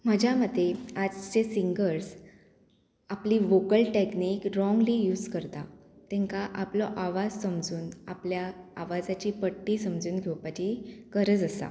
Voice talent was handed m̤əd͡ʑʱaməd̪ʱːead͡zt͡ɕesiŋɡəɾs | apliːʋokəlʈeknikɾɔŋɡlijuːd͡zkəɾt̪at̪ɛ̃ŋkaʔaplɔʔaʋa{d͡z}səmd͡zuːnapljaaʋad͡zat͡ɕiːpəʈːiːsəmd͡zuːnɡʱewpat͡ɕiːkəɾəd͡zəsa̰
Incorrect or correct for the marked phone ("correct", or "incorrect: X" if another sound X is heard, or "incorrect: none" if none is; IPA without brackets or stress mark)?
correct